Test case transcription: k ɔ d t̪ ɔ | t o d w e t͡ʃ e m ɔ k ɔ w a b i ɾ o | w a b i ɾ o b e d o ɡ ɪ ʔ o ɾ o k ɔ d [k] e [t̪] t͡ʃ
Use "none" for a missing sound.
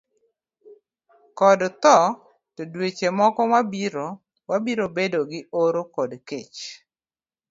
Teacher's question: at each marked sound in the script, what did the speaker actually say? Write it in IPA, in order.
k, none

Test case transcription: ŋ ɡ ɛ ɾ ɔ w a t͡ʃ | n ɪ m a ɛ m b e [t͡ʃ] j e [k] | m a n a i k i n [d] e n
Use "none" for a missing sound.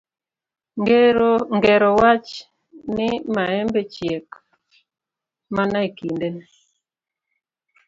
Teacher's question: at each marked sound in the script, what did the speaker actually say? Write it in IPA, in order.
t͡ʃ, k, d

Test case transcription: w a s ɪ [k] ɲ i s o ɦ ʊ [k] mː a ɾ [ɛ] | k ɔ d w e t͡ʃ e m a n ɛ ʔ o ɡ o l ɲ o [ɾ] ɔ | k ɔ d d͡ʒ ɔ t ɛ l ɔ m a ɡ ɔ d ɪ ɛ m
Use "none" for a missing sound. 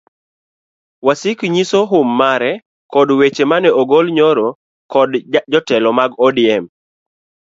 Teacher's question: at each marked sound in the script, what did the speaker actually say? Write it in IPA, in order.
k, none, ɛ, ɾ

